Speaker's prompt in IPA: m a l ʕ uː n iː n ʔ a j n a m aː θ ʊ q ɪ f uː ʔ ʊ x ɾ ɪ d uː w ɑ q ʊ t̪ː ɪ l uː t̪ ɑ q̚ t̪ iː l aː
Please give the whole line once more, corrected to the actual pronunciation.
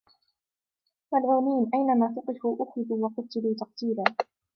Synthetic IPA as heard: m a l ʕ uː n iː n ʔ a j n a m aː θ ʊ q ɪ f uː ʔ ʊ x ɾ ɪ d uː w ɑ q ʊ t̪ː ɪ l uː t̪ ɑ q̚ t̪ iː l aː